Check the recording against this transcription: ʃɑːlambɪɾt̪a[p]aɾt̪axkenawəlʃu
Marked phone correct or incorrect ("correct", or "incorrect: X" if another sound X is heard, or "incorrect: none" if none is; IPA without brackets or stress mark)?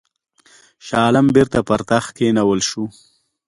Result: correct